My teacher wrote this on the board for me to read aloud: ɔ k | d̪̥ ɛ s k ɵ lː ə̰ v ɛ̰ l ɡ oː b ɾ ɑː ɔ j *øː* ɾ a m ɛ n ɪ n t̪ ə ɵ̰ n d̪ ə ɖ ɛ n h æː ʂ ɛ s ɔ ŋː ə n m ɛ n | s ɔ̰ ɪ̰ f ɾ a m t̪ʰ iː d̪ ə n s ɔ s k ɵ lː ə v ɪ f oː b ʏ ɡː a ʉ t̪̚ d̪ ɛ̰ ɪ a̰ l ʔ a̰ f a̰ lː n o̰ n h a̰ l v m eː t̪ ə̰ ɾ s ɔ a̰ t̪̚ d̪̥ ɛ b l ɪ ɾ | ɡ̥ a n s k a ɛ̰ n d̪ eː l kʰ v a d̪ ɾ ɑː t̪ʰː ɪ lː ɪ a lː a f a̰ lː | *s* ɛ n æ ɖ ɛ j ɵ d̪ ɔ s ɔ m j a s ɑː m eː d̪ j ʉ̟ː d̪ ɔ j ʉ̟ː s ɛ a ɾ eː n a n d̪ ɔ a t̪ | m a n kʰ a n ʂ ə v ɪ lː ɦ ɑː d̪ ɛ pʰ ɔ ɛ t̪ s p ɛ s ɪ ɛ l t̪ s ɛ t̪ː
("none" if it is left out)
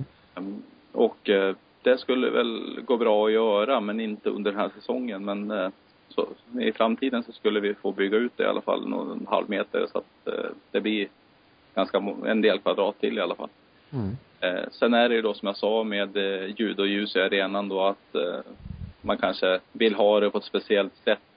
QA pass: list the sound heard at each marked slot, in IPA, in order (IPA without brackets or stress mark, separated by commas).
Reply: œː, s